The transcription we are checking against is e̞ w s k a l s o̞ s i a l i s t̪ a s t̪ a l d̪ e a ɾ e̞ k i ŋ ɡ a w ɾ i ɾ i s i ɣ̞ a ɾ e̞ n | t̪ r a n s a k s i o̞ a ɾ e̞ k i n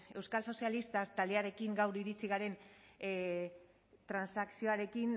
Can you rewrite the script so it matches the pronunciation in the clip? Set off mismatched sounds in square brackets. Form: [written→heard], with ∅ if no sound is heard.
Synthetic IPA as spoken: e̞ w s k a l s o̞ s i a l i s t̪ a s t̪ a l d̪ e a ɾ e̞ k i ŋ ɡ a w ɾ i ɾ i [s→t͡s] i ɣ̞ a ɾ e̞ n | t̪ [r→ɾ] a n s a k s i o̞ a ɾ e̞ k i n